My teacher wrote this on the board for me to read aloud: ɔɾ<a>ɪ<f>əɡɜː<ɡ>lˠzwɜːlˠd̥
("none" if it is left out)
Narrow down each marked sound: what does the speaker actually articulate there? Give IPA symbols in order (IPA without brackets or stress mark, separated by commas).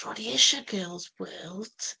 i, ʃ, none